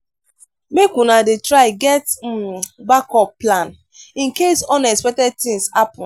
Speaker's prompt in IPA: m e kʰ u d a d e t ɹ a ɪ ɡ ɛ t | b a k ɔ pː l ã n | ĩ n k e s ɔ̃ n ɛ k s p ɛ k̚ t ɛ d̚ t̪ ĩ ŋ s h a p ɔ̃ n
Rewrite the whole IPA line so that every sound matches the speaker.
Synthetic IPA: m e k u n a d e t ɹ a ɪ ɡ ɛ t | b a k ɔ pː l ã n | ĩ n k e s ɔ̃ n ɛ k s p ɛ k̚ t ɛ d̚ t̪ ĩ ŋ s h a p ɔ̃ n